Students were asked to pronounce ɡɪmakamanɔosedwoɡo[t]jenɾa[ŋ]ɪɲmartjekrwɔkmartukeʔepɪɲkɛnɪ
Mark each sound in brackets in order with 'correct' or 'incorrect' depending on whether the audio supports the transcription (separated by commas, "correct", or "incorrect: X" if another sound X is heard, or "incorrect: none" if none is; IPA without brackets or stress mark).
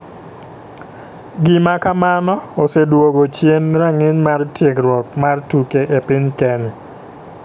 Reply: incorrect: t͡ʃ, correct